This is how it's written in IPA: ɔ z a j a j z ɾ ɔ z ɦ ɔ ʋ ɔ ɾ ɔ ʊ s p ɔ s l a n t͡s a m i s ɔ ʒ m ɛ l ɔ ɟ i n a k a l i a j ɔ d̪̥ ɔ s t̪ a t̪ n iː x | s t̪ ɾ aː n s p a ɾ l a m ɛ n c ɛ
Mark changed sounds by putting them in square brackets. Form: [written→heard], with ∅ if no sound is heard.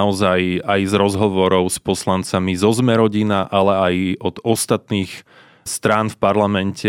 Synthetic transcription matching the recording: ɔ z a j a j z ɾ ɔ z ɦ ɔ ʋ ɔ ɾ ɔ ʊ s p ɔ s l a n t͡s a m i [s→z] ɔ [ʒ→z] m ɛ [l→ɾ] ɔ ɟ i n a [k→ʔ] a l [i→ɛ] a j ɔ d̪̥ ɔ s t̪ a t̪ n iː x | s t̪ ɾ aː n [s→f] p a ɾ l a m ɛ n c ɛ